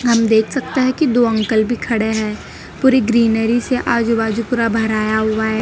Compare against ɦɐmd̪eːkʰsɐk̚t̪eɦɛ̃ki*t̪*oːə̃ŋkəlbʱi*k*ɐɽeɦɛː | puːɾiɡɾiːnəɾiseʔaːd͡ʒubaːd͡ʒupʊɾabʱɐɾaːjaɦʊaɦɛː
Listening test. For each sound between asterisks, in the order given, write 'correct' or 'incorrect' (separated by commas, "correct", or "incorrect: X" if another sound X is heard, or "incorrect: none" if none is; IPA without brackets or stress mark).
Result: incorrect: d̪, incorrect: kʰ